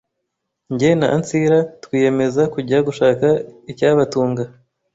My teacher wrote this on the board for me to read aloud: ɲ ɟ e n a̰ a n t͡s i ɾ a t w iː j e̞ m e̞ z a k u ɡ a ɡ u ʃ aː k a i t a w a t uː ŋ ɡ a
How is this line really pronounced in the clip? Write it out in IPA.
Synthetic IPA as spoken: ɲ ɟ e n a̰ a n t͡s i ɾ a t w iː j e̞ m e̞ z a k u ɟ a ɡ u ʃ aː k a i c a β a t uː ŋ ɡ a